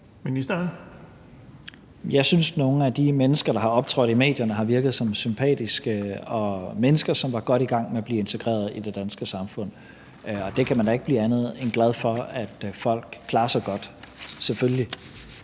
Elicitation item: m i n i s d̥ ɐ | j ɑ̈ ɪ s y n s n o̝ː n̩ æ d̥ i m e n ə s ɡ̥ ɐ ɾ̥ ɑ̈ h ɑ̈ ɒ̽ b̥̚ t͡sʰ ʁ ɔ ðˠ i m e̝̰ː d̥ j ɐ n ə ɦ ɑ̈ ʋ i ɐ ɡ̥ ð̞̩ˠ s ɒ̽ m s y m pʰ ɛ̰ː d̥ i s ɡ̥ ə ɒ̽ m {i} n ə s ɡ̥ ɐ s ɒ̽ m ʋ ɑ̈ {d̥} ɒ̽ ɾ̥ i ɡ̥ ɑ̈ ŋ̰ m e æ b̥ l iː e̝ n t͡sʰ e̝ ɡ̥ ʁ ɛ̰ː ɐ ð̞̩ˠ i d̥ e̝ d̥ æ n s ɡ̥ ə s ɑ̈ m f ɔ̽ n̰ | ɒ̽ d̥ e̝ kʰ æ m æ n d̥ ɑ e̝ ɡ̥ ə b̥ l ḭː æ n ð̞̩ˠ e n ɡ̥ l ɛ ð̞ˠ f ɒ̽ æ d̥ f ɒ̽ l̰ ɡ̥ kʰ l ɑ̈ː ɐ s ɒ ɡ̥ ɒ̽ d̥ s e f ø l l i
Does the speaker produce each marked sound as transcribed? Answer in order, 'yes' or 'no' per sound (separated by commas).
no, no